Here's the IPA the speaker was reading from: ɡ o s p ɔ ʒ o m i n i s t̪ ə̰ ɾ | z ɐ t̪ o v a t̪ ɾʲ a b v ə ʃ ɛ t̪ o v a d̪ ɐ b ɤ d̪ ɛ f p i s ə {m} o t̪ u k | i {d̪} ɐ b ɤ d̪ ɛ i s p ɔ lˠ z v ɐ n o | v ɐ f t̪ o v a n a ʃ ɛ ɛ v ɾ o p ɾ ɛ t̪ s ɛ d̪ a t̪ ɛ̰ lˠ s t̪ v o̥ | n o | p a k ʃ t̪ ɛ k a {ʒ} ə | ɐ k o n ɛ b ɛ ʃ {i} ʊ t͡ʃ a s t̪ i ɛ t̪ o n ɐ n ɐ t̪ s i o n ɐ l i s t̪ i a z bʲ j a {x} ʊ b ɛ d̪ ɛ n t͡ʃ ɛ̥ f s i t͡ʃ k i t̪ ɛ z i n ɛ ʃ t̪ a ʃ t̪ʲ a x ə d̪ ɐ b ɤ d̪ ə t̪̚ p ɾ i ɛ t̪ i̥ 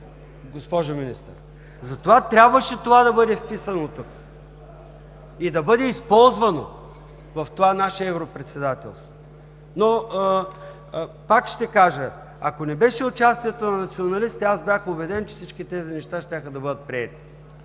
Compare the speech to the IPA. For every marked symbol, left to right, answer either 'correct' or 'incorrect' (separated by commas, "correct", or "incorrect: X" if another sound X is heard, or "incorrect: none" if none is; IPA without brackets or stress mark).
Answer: incorrect: n, correct, correct, incorrect: ɛ, correct